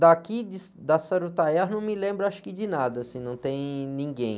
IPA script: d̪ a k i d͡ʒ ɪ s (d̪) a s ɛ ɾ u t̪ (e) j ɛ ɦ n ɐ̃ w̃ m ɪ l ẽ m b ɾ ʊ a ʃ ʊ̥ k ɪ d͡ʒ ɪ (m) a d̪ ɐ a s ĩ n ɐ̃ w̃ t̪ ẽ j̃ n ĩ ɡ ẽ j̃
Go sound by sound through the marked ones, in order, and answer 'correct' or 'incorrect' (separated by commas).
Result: correct, incorrect, incorrect